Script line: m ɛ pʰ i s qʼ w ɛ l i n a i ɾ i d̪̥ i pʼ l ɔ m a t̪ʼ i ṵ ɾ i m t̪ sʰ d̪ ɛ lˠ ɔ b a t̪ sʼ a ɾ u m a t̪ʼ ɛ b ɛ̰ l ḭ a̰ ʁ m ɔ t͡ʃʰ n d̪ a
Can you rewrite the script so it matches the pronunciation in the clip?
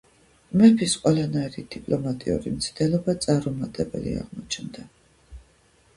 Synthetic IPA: m ɛ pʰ i s qʼ w ɛ l a n a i ɾ i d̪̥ i pʼ l ɔ m a t̪ʼ i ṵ ɾ i m t̪ sʰ d̪ ɛ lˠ ɔ b a t̪ sʼ a ɾ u m a t̪ʼ ɛ b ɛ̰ l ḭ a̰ ʁ m ɔ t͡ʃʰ n d̪ a

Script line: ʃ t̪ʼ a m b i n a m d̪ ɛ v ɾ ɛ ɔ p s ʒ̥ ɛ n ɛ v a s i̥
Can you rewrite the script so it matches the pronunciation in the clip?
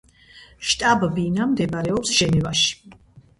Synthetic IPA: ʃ t̪ʼ a b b i n a m d̪ ɛ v ɾ ɛ ɔ p s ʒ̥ ɛ n ɛ v a ʃ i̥

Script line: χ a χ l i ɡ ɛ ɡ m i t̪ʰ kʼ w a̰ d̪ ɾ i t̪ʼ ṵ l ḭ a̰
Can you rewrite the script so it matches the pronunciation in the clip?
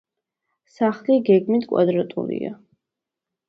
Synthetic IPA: s a χ l i ɡ ɛ ɡ m i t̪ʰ kʼ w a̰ d̪ ɾ a t̪ʼ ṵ l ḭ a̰

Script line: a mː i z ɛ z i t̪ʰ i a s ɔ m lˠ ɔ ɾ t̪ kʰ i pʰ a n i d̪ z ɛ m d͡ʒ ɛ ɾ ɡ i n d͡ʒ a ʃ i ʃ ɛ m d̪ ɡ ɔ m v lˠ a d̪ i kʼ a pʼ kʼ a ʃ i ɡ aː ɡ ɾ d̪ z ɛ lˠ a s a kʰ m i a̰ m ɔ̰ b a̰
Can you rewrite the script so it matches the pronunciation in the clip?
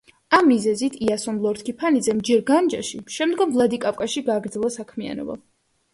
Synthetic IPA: a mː i z ɛ z i t̪ʰ i a s ɔ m lˠ ɔ ɾ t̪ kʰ i pʰ a n i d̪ z ɛ m d͡ʒ ɛ ɾ ɡ a n d͡ʒ a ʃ i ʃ ɛ m d̪ ɡ ɔ m v lˠ a d̪ i kʼ a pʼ kʼ a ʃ i ɡ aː ɡ ɾ d̪ z ɛ lˠ a s a kʰ m i a̰ n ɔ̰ b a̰

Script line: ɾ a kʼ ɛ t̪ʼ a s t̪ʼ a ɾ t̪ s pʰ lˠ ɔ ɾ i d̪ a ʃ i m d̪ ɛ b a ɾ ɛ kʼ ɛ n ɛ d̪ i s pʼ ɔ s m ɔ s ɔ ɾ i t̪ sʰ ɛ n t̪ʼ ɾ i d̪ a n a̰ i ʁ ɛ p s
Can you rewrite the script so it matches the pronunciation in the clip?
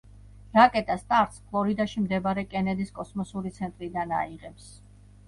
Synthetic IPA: ɾ a kʼ ɛ t̪ʼ a s t̪ʼ a ɾ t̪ s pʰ lˠ ɔ ɾ i d̪ a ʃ i m d̪ ɛ b a ɾ ɛ kʼ ɛ n ɛ d̪ i s kʼ ɔ s m ɔ s u ɾ i t̪ sʰ ɛ n t̪ʼ ɾ i d̪ a n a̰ i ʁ ɛ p s

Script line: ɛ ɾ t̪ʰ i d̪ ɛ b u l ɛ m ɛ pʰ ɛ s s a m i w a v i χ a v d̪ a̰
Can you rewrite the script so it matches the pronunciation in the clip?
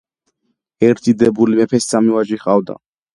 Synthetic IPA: ɛ ɾ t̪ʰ i d̪ ɛ b u l i m ɛ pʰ ɛ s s a m i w a ʒ i χ a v d̪ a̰

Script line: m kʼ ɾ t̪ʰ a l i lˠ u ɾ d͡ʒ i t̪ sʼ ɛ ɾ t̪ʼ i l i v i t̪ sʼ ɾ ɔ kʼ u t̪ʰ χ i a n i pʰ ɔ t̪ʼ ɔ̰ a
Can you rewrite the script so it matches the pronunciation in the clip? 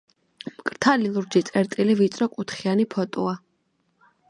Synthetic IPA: m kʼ ɾ t̪ʰ a l i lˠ u ɾ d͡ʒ i t̪ sʼ ɛ ɾ t̪ʼ i l i v i t̪ sʼ ɾ ɔ kʼ u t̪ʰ χ i a n i pʰ ɔ t̪ʼ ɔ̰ a

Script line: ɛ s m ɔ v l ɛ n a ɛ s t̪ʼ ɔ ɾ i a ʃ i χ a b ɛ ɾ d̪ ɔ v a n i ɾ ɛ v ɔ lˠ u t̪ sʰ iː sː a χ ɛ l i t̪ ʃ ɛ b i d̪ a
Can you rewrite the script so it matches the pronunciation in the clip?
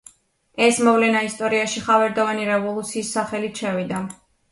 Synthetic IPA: ɛ s m ɔ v l ɛ n a i s t̪ʼ ɔ ɾ i a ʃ i χ a v ɛ ɾ d̪ ɔ v a n i ɾ ɛ v ɔ lˠ u t̪ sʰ iː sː a χ ɛ l i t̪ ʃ ɛ v i d̪ a

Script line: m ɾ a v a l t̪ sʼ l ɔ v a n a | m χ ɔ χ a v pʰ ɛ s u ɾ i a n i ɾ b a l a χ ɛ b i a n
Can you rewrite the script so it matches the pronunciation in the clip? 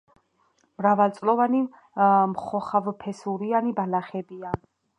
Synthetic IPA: m ɾ a v a l t̪ sʼ l ɔ v a n i | m χ ɔ χ a v pʰ ɛ s u ɾ i a n i b a l a χ ɛ b i a n

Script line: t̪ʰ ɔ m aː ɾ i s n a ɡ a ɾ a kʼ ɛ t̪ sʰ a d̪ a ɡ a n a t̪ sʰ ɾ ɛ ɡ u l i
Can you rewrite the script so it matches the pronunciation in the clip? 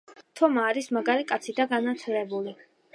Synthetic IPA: t̪ʰ ɔ m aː ɾ i s m a ɡ a ɾ i kʼ a t̪ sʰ i d̪ a ɡ a n a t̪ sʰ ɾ ɛ b u l i

